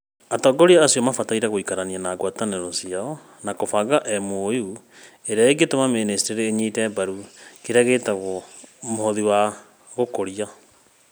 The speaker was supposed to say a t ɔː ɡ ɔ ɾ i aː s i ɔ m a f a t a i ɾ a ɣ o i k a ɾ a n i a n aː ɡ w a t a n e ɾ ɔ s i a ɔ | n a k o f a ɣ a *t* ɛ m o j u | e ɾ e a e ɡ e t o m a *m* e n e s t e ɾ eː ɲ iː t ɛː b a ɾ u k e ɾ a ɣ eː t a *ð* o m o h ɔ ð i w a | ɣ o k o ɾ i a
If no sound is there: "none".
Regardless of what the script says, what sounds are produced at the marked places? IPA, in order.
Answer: ʔ, m, ɣ

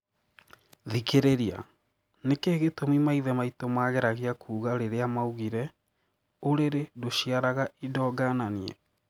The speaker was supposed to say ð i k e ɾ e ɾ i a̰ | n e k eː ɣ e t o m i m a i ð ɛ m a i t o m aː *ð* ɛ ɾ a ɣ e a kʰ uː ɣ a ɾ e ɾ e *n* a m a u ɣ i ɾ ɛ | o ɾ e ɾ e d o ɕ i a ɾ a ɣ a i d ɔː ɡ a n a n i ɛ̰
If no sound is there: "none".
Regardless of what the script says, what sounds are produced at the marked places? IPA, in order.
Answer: ɣ, none

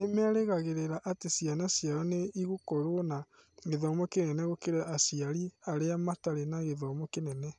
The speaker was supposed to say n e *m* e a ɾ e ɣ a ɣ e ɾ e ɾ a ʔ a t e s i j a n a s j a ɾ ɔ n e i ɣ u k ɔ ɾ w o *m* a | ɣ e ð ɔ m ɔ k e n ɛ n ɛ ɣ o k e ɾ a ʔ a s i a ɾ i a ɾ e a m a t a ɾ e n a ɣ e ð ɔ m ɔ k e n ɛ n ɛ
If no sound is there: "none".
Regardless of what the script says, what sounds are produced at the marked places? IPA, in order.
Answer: m, n

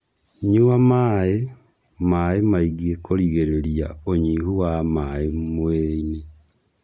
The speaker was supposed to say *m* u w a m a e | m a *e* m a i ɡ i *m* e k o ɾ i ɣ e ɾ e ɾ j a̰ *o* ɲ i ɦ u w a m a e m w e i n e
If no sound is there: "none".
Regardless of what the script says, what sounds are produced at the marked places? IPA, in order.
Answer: ɲ, e, none, o

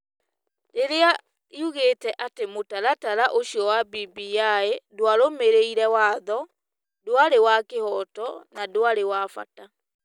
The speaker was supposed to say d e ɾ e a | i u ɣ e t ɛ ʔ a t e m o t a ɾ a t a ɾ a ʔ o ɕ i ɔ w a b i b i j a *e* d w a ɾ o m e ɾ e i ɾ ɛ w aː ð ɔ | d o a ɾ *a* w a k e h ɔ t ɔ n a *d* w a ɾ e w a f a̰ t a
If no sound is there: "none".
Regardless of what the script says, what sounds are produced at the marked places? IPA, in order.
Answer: e, e, d

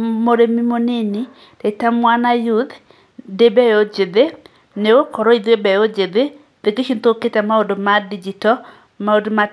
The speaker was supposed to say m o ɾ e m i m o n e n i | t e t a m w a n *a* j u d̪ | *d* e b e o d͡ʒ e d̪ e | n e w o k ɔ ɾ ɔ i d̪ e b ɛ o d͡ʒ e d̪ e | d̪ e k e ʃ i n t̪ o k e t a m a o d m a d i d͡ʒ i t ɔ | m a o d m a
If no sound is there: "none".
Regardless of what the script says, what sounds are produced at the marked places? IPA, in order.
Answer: a, d

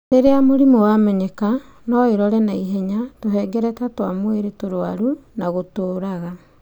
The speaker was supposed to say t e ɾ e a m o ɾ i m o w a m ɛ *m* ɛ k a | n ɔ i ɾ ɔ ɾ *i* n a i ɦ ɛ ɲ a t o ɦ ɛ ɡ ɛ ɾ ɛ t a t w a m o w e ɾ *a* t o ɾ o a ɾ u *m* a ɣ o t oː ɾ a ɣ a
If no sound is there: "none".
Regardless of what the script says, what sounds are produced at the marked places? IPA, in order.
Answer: ɲ, ɛ, e, n

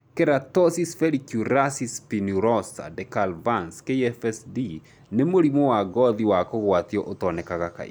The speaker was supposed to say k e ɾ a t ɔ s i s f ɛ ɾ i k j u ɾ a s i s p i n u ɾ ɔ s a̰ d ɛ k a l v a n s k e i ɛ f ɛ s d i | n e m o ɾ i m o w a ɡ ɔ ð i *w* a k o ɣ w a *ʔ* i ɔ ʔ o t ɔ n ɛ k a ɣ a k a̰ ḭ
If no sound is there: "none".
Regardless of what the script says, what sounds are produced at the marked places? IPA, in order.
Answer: w, t

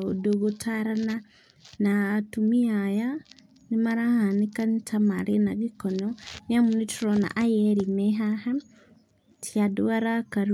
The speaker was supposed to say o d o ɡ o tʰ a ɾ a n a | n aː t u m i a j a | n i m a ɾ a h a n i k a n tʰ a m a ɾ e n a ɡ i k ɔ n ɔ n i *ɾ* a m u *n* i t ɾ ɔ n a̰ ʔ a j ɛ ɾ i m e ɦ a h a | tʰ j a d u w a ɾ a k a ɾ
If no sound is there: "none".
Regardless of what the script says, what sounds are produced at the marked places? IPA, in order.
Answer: none, n

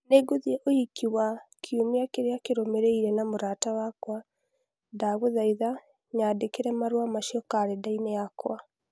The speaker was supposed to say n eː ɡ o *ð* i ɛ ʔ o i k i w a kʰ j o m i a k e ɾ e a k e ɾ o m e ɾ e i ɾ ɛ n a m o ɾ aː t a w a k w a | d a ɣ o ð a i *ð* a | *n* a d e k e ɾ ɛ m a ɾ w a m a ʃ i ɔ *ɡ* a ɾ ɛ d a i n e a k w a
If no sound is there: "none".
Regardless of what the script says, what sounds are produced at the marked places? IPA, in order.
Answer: ð, ð, ɲ, k

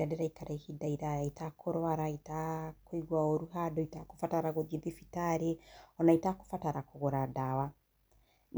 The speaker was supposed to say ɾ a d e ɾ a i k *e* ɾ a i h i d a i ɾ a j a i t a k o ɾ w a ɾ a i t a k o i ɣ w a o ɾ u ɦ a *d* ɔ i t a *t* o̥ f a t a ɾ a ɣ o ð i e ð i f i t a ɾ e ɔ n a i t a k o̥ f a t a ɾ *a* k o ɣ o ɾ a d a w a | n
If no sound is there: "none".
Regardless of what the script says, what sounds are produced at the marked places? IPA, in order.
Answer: a, d, k, a

